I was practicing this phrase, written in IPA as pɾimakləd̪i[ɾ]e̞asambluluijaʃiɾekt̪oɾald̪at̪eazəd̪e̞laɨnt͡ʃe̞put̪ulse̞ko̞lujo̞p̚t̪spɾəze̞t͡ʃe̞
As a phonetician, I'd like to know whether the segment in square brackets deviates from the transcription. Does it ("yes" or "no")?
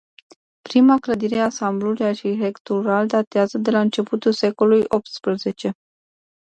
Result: no